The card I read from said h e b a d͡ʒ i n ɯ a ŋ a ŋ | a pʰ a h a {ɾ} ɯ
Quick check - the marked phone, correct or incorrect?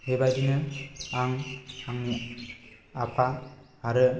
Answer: correct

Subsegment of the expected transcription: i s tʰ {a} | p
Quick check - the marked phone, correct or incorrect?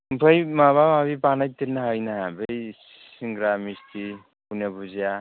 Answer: incorrect: i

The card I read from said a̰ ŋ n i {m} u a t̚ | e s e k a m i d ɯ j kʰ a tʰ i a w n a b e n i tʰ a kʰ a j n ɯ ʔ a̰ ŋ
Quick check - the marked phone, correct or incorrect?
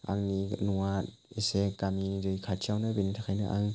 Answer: incorrect: n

